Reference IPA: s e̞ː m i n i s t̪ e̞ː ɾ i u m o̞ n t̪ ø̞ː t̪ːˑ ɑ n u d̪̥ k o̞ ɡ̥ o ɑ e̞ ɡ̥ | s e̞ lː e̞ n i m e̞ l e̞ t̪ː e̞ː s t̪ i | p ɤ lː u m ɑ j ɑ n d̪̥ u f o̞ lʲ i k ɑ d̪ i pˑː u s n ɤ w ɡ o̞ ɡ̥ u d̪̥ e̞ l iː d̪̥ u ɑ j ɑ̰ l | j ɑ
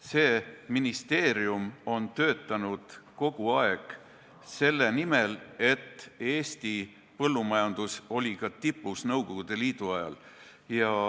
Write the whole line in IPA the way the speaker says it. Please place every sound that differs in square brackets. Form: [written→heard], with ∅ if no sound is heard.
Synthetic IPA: s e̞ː m i n i s t̪ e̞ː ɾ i u m o̞ n t̪ ø̞ː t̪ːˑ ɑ n u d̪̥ k o̞ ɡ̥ [o→u] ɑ e̞ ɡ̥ | s e̞ lː e̞ n i m e̞ l e̞ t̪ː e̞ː s t̪ i | p ɤ lː u m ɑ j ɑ n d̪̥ u [f→s] o̞ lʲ i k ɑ [d̪→t̪] i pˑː u s n ɤ w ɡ o̞ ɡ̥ u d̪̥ e̞ l iː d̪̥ u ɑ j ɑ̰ l | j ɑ

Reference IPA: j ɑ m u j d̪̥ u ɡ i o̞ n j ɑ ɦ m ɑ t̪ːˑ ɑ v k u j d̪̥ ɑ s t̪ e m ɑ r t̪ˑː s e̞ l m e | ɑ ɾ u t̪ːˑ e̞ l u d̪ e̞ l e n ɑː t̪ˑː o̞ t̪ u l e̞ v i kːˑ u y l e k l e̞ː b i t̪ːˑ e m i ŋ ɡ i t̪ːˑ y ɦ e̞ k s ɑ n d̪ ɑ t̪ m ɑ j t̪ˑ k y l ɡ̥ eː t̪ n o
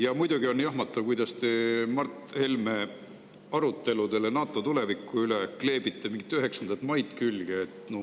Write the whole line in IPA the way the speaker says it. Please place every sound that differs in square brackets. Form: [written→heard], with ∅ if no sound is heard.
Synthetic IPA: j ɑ m u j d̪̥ u ɡ i o̞ n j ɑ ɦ m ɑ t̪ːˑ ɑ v k u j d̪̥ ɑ s t̪ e m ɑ r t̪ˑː [s→h] e̞ l m e | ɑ ɾ u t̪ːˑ e̞ l u d̪ e̞ l e n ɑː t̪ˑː o̞ t̪ u l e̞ v i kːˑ u y l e k l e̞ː b i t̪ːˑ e m i ŋ ɡ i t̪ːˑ y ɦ e̞ k s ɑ n d̪ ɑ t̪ m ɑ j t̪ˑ k y l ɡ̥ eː t̪ n o

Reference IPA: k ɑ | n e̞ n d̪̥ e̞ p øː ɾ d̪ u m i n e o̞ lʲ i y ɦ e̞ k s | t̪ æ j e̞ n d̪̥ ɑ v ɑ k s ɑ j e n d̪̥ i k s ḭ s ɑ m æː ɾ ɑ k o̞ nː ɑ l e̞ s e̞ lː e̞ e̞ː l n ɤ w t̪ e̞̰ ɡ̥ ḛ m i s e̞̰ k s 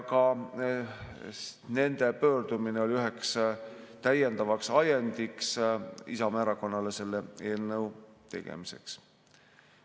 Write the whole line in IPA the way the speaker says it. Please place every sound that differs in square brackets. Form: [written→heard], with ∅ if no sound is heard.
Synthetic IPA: k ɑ | n e̞ n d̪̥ e̞ p øː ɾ d̪ u m i n e o̞ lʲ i y ɦ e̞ k s | t̪ æ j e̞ n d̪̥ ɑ v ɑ k s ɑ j e n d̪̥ i k s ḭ s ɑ m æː ɾ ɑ k o̞ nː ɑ l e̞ s e̞ lː e̞ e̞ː l n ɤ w t̪ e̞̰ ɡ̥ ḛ m i s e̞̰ k s

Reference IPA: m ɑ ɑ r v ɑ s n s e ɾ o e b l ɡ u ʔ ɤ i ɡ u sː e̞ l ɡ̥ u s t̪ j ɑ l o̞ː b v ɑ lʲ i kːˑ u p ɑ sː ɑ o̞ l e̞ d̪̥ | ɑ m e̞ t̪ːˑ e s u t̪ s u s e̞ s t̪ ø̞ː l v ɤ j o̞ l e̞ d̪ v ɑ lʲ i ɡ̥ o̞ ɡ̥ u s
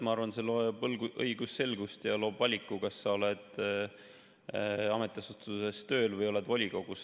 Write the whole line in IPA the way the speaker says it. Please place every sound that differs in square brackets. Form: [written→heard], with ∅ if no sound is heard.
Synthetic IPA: m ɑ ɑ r v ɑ [s→∅] n s e [ɾ→l] o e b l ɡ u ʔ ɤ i ɡ u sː e̞ l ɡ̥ u s t̪ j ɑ l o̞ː b v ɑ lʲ i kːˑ u [p→k] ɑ sː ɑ o̞ l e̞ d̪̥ | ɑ m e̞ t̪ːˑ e s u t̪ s u s e̞ s t̪ ø̞ː l v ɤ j o̞ l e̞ d̪ v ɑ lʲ i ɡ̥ o̞ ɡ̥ u s

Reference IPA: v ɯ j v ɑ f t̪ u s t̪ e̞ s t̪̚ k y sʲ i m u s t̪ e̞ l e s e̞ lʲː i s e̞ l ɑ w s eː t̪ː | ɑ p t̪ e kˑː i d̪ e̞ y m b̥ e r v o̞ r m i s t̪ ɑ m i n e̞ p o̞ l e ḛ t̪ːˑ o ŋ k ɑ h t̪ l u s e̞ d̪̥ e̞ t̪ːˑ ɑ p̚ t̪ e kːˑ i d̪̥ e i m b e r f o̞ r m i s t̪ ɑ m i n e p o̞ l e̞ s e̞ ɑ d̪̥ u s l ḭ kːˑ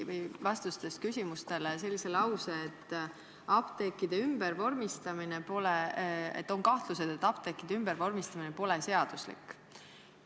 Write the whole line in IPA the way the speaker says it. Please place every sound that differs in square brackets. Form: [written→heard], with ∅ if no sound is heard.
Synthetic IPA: v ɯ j v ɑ [f→s] t̪ u s t̪ e̞ s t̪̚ k y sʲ i m u s t̪ e̞ l e s e̞ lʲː i s e̞ l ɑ w s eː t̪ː | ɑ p t̪ e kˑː i d̪ e̞ y m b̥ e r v o̞ r m i s t̪ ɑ m i n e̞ p o̞ l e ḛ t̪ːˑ o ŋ k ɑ h t̪ l u s e̞ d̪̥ e̞ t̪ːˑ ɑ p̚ t̪ e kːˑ i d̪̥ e [i→y] m b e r [f→v] o̞ r m i s t̪ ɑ m i n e p o̞ l e̞ s e̞ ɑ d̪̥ u s l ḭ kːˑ

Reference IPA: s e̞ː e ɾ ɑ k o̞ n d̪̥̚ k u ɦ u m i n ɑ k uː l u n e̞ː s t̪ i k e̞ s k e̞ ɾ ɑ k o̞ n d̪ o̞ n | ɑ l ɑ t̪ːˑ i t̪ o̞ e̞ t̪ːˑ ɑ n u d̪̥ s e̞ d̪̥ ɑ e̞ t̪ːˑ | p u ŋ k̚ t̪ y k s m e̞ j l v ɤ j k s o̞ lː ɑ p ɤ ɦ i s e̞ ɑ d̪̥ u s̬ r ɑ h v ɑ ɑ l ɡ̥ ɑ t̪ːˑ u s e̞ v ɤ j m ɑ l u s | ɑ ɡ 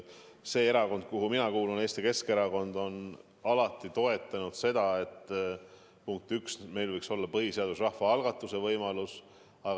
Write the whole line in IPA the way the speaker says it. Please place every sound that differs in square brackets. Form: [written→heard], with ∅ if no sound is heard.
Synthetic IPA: s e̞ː e ɾ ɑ k o̞ n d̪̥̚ k u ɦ u m i n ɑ k uː l u n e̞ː s t̪ i k e̞ s k e̞ ɾ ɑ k o̞ n d̪ o̞ n | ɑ l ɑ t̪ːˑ i t̪ o̞ e̞ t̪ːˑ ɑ n u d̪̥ s e̞ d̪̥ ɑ e̞ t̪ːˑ | p u ŋ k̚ t̪ y k s m e̞ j l v ɤ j k s o̞ lː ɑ p ɤ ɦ i s e̞ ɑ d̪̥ u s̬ r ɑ h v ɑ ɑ l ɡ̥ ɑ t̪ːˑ u s e̞ v ɤ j m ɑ l u s | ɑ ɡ

